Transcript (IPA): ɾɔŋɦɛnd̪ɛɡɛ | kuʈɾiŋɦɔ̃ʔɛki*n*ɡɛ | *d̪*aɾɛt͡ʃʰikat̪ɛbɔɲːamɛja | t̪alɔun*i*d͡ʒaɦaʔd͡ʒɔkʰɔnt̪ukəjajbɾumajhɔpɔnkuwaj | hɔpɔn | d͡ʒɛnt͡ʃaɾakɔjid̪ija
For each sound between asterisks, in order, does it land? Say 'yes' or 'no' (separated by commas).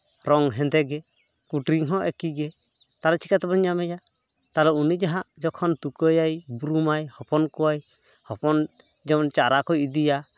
no, no, yes